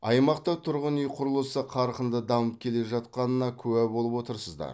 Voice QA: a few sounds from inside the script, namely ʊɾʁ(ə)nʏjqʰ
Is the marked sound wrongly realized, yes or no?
no